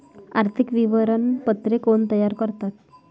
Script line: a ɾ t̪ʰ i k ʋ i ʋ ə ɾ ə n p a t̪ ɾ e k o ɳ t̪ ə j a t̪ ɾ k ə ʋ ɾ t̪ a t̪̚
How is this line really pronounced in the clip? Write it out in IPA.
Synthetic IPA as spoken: a ɾ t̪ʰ i k ʋ i ʋ ə ɾ ə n p ə t̪ ɾ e k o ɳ t̪ ə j a ɾ k ə ɾ t̪ a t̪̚